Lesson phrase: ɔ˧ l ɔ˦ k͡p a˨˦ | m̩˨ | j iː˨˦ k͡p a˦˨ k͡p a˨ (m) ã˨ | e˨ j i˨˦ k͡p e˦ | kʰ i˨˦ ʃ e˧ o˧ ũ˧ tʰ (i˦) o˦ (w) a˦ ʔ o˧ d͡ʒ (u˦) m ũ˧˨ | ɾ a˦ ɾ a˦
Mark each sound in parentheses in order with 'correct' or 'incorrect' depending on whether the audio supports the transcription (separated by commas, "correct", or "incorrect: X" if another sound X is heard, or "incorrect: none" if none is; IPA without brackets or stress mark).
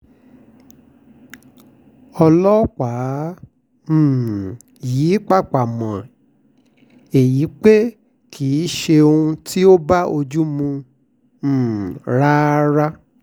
correct, correct, incorrect: b, correct